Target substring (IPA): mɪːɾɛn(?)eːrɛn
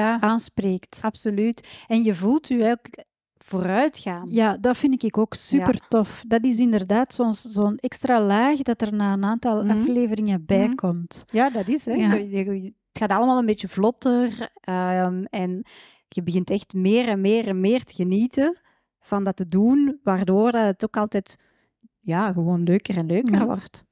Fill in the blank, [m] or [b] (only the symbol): m